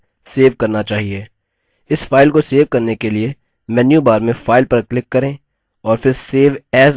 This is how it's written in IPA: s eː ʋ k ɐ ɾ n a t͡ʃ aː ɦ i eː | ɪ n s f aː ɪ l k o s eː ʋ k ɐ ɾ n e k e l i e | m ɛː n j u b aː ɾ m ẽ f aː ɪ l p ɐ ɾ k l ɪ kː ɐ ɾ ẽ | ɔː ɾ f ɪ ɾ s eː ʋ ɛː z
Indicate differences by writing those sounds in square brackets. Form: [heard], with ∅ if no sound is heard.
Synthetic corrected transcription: s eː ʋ k ɐ ɾ n a t͡ʃ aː ɦ i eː | ɪ [∅] s f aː ɪ l k o s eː ʋ k ɐ ɾ n e k e l i e | m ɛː n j u b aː ɾ m ẽ f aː ɪ l p ɐ ɾ k l ɪ kː ɐ ɾ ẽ | ɔː ɾ f ɪ ɾ s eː ʋ ɛː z